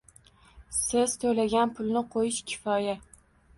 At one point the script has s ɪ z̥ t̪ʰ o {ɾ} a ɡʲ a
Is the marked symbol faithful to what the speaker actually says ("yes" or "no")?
no